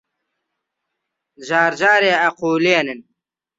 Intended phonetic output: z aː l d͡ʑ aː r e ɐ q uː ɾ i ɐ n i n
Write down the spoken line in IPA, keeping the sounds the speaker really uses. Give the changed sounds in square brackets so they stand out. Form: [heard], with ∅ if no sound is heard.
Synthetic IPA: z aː [ɾ] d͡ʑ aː [ɾ] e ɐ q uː [l] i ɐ n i n